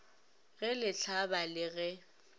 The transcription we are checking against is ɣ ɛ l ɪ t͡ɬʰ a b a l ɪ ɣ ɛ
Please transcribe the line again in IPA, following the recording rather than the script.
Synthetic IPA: ɣ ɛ l ɪ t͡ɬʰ a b a l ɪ ɣ ɛ